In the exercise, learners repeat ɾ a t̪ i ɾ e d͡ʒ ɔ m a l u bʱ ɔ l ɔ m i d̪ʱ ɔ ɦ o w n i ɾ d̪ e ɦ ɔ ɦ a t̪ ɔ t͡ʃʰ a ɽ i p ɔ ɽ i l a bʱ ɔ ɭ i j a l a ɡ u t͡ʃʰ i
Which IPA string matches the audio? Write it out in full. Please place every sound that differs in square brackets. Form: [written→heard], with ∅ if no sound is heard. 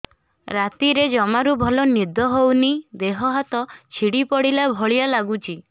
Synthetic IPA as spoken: ɾ a t̪ i ɾ e d͡ʒ ɔ m a [l→ɾ] u bʱ ɔ l ɔ [m→n] i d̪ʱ ɔ ɦ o w n i [ɾ→∅] d̪ e ɦ ɔ ɦ a t̪ ɔ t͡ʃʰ [a→i] ɽ i p ɔ ɽ i l a bʱ ɔ ɭ i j a l a ɡ u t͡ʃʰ i